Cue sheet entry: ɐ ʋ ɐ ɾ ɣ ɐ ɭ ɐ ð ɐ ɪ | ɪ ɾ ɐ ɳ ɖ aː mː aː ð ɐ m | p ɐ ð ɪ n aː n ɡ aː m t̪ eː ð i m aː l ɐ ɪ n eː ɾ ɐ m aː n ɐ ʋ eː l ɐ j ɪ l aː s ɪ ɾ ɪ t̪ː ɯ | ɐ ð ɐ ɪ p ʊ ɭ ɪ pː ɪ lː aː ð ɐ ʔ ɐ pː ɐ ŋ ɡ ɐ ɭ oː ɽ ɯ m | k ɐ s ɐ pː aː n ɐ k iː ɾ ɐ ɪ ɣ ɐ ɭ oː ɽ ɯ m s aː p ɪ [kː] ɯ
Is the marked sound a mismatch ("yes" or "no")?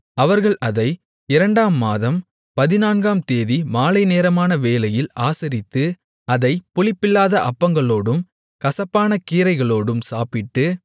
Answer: yes